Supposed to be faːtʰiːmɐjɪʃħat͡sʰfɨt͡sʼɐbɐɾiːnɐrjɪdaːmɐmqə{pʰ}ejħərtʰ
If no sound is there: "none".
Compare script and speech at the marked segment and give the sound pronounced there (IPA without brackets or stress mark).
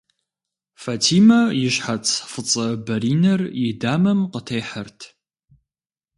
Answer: tʰ